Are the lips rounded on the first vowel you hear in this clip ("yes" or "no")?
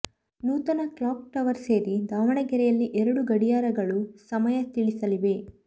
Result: yes